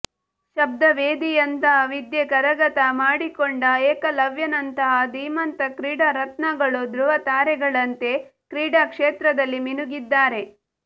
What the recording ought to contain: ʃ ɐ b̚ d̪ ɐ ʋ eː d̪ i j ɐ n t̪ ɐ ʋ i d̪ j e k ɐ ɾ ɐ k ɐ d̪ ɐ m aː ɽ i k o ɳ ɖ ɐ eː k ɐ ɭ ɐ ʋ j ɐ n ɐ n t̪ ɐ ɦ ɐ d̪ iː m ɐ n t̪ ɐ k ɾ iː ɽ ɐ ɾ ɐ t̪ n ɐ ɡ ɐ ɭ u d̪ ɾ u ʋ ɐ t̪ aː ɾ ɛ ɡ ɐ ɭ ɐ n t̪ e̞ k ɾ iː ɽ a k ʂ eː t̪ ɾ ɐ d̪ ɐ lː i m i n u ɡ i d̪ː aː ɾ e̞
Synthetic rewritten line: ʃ ɐ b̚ d̪ ɐ ʋ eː d̪ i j ɐ n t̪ ɐ ʋ i d̪ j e k ɐ ɾ ɐ ɡ ɐ t̪ ɐ m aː ɽ i k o ɳ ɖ ɐ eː k ɐ l ɐ ʋ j ɐ n ɐ n t̪ ɐ ɦ ɐ d̪ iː m ɐ n t̪ ɐ k ɾ iː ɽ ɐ ɾ ɐ t̪ n ɐ ɡ ɐ ɭ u d̪ ɾ u ʋ ɐ t̪ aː ɾ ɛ ɡ ɐ ɭ ɐ n t̪ e̞ k ɾ iː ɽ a k ʂ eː t̪ ɾ ɐ d̪ ɐ lː i m i n u ɡ i d̪ː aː ɾ e̞